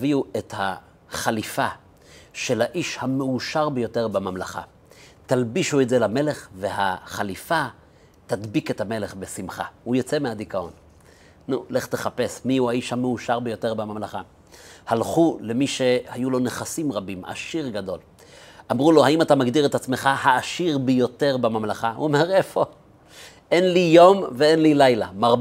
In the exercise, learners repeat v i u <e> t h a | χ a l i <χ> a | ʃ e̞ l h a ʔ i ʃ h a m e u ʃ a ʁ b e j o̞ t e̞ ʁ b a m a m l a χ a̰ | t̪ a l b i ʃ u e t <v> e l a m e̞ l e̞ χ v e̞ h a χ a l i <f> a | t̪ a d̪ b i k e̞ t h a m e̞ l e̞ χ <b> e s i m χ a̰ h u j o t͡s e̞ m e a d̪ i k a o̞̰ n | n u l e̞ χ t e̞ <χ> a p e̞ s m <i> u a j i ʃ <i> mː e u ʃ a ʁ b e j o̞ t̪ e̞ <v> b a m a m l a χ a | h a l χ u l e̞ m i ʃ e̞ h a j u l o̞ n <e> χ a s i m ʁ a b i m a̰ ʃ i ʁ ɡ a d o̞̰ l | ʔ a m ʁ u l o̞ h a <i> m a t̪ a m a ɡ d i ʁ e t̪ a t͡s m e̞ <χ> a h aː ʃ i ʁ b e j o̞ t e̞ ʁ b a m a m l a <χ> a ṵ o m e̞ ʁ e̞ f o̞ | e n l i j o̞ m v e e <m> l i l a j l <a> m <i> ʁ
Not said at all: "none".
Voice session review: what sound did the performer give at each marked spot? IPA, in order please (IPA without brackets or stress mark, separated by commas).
e, f, z, f, b, χ, i, a, ʁ, e, i, χ, χ, n, a, a